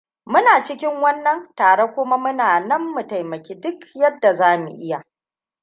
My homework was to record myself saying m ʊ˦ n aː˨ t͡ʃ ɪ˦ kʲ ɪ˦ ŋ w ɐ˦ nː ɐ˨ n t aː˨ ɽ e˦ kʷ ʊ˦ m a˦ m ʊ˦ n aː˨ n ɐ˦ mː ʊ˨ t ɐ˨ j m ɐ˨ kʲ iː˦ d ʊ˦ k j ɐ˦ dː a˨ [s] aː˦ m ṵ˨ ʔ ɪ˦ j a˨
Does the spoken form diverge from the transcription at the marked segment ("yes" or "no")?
yes